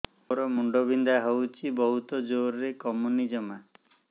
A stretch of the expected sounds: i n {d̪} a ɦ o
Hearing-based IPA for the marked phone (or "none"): d̪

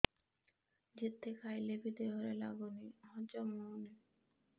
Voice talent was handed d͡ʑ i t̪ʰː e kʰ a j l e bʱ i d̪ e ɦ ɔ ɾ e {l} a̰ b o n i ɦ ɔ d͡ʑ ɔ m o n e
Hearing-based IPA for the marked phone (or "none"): l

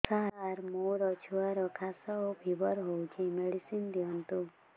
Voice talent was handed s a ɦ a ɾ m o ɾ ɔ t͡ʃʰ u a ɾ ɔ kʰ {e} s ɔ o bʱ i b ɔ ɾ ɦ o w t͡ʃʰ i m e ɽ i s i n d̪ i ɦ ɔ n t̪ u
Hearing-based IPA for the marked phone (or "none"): a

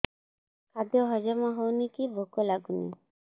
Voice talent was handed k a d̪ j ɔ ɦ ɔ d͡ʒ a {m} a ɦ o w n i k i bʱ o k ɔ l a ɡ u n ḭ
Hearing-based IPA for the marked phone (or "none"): m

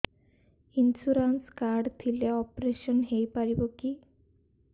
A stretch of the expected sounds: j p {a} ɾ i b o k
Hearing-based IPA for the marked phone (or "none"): a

